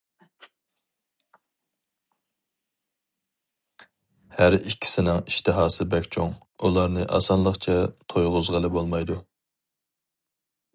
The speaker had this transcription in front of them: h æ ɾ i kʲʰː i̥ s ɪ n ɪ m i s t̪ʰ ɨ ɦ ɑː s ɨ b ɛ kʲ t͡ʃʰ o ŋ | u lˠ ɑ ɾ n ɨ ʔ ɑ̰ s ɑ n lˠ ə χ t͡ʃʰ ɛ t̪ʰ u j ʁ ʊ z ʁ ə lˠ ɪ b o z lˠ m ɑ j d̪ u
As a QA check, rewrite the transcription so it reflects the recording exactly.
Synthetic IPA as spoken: h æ ɾ i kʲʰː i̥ s ɪ n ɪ ŋ i ʃ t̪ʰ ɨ ɦ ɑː s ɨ b ɛ kʲ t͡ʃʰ o ŋ | u lˠ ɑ ɾ n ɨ ʔ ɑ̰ s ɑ n lˠ ə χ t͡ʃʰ ɛ t̪ʰ o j ʁ ʊ z ʁ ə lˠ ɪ b o lˠ m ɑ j d̪ u